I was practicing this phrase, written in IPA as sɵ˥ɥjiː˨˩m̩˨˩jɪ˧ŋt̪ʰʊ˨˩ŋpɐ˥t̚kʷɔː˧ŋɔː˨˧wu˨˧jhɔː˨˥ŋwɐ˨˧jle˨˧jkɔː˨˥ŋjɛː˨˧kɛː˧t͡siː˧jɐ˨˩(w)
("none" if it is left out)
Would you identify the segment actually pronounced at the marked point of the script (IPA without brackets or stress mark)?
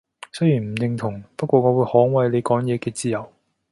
w